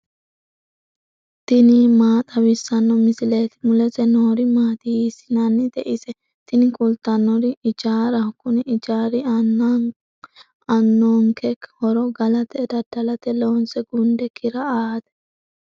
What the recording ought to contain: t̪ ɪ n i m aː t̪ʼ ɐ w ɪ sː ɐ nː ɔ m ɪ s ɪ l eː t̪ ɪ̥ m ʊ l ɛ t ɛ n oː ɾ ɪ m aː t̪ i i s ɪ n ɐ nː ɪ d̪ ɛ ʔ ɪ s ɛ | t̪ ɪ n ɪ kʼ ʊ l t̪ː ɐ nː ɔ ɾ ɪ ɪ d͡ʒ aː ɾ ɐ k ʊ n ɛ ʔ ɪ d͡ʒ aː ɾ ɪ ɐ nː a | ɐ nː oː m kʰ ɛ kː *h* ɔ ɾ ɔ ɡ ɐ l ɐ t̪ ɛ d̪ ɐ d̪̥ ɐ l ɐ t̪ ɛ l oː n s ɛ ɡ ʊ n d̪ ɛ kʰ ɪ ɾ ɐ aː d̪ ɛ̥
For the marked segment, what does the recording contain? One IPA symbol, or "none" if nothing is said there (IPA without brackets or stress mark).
h